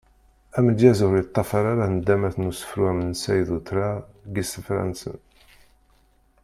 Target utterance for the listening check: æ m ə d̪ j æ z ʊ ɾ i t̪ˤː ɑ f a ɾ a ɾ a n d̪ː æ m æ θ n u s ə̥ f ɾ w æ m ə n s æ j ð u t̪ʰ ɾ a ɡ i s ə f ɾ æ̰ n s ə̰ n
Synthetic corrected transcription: æ m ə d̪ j æ z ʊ ɾ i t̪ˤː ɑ f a ɾ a ɾ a n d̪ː æ m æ θ n u s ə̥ f ɾ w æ m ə n s æ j ð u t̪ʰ ɾ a ɡ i s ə f ɾ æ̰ n s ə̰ n